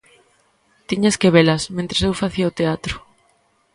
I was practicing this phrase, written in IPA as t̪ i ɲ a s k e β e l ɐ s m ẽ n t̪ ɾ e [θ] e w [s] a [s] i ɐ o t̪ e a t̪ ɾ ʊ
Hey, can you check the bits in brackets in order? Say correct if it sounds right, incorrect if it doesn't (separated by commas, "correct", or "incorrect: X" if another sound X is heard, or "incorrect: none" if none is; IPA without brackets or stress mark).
incorrect: s, incorrect: f, incorrect: θ